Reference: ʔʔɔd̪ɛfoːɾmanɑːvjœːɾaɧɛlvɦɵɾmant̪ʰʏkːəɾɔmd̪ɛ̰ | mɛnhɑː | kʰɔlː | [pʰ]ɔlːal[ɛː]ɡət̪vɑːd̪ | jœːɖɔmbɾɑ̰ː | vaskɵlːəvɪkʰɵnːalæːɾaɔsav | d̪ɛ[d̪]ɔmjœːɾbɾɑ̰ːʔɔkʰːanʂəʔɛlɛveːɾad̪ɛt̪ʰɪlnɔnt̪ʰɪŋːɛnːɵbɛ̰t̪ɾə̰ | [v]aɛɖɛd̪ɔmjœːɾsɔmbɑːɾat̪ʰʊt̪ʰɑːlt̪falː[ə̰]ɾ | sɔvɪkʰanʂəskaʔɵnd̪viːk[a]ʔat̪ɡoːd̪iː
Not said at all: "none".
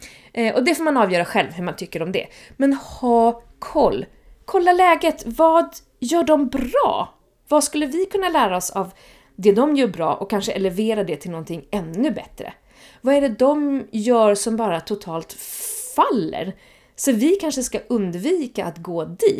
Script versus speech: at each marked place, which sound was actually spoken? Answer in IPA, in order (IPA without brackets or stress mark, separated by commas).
kʰ, ɛː, d̪, v, ə̰, a